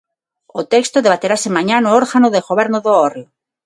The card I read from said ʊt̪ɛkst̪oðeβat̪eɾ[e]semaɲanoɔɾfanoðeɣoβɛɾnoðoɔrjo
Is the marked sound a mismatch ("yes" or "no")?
yes